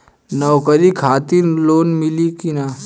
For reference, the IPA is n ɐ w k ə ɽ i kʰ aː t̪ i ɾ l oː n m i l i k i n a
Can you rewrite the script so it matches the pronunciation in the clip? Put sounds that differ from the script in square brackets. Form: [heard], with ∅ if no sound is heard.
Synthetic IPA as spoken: n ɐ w k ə [ɾ] i kʰ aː t̪ i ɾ l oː n m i l i k i n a

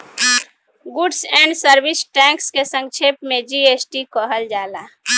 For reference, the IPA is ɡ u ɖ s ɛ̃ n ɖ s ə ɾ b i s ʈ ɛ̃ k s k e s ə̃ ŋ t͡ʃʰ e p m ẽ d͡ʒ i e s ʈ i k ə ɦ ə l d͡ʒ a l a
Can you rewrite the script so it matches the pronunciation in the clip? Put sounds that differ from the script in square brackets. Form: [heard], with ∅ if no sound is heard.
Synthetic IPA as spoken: ɡ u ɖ s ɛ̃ [ɳ] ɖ s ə ɾ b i s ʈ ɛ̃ k s k e s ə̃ ŋ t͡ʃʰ e p m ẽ d͡ʒ i e s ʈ i k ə ɦ ə l d͡ʒ a l a

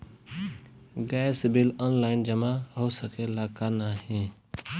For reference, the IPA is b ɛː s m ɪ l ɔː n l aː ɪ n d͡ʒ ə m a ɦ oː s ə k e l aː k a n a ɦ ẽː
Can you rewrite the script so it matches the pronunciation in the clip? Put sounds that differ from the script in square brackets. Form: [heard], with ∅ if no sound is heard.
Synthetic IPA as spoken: [ɡ] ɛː s [b] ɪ l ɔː n l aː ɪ n d͡ʒ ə m a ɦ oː s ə k e l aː k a n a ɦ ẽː

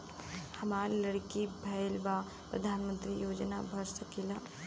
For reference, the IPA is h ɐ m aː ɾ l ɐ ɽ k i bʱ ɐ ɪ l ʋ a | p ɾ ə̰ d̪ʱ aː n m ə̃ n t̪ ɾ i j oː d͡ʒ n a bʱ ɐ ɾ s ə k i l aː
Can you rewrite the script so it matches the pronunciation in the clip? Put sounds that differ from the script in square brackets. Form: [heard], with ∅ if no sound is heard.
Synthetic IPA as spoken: h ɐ m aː ɾ l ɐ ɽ k i bʱ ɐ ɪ l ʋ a | p ɾ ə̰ d̪ʱ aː n m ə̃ n t̪ ɾ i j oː d͡ʒ n a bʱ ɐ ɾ s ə k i l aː

